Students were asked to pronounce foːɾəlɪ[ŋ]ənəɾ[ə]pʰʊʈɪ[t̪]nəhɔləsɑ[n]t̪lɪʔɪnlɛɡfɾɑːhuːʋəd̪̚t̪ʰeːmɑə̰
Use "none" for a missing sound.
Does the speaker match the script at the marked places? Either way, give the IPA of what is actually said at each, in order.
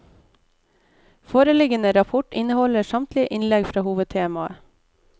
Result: ɡ, ɑ, none, m

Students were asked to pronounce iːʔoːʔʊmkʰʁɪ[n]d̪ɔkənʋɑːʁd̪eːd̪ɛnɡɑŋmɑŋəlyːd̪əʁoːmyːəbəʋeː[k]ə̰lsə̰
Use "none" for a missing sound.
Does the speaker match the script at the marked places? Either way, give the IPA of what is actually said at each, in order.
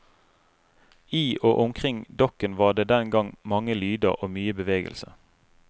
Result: ŋ, ɡ

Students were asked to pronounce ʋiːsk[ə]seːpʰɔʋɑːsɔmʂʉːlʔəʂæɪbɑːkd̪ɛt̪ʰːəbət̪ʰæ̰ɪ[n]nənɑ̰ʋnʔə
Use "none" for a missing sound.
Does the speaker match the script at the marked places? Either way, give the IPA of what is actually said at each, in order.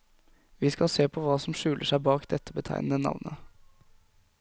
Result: ɑ, n

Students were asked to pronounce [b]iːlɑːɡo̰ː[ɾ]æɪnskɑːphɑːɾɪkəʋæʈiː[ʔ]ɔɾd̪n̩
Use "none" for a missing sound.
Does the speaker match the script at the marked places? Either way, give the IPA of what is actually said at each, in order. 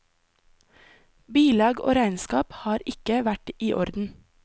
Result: b, ɾ, ʔ

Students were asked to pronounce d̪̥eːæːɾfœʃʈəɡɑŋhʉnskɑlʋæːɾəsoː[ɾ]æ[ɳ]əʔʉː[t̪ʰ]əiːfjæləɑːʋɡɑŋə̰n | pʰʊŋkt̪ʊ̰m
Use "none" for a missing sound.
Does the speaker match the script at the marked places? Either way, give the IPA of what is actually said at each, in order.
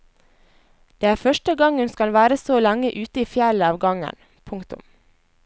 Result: l, ŋ, t̪

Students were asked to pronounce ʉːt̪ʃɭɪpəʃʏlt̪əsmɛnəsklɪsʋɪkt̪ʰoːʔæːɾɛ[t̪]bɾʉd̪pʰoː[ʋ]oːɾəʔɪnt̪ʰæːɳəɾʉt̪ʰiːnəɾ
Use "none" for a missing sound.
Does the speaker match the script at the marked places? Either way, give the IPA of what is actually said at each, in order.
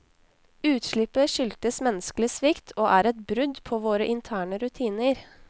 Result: t̪, ʋ

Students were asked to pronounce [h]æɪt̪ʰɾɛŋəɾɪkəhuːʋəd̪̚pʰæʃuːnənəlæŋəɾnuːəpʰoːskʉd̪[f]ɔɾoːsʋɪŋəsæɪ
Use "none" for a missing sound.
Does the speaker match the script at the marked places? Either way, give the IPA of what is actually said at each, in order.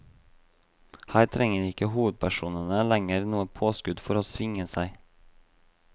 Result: h, f

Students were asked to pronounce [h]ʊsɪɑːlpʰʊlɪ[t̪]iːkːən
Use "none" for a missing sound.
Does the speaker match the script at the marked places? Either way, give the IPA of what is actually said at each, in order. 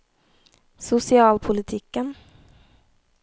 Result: s, t̪ʰ

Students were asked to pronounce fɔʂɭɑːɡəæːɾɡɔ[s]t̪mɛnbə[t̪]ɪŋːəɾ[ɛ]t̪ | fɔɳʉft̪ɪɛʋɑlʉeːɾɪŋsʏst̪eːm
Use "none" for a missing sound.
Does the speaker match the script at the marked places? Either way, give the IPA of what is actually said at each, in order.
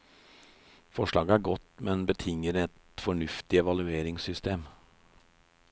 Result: none, t̪ʰ, ɛ

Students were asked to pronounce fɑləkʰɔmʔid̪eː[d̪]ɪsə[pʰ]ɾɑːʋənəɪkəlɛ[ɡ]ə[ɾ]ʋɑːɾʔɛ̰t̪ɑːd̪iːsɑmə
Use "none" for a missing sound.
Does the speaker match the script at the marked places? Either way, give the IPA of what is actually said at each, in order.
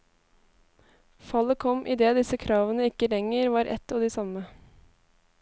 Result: d̪, kʰ, ŋ, ɾ

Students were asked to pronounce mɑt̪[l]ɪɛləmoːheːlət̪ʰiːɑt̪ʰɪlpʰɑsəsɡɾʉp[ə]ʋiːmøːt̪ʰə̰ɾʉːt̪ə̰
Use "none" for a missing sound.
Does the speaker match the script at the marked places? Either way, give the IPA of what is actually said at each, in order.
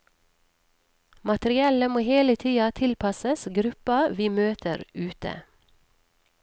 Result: ɾ, ɑ

